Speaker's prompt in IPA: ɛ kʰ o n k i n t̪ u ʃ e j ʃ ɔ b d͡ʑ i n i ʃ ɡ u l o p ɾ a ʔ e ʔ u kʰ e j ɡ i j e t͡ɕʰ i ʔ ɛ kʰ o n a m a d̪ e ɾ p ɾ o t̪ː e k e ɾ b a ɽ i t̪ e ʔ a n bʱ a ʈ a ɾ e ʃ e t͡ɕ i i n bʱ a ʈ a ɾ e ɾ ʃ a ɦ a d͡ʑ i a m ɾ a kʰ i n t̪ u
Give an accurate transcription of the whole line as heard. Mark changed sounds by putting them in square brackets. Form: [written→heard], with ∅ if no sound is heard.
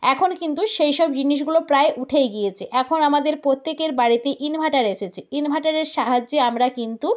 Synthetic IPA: ɛ kʰ o n k i n t̪ u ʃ e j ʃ ɔ b d͡ʑ i n i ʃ ɡ u l o p ɾ a [ʔ→∅] e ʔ u [kʰ→ʈʰ] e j ɡ i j e t͡ɕʰ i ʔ ɛ kʰ o n a m a d̪ e ɾ p ɾ o t̪ː e k e ɾ b a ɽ i t̪ e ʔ [a→i] n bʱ a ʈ a ɾ e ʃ e [t͡ɕ→t͡ɕʰ] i i n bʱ a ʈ a ɾ e ɾ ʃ a ɦ a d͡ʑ [i→e] a m ɾ a [kʰ→k] i n t̪ u

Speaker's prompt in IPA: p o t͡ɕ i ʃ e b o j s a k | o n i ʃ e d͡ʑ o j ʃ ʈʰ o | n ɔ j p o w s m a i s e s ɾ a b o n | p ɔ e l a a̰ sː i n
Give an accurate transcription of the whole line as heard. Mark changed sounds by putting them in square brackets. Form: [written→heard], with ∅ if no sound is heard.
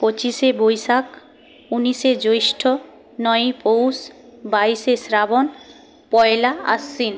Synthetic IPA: p o t͡ɕ i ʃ e b o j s a k | [o→u] n i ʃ e d͡ʑ o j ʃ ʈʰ o | n ɔ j p o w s [m→b] a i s e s ɾ a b o n | p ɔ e l a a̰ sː i n

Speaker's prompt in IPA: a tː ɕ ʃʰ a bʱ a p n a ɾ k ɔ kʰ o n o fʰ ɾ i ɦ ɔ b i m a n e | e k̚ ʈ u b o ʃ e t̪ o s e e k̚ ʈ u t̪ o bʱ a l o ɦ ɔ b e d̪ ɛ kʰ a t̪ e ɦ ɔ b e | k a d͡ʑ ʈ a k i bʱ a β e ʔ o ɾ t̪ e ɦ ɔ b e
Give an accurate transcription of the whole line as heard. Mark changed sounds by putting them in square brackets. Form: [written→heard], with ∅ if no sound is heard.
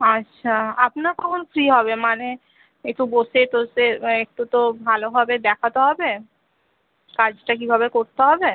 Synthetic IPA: a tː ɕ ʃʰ a [bʱ→∅] a p n a ɾ k ɔ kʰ o n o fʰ ɾ i ɦ ɔ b [i→e] m a n e | e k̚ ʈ u b o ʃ e t̪ o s e e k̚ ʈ u t̪ o bʱ a l o ɦ ɔ b e d̪ ɛ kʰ a t̪ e ɦ ɔ b e | k a d͡ʑ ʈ a k i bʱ a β e [ʔ→k] o ɾ t̪ e ɦ ɔ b e

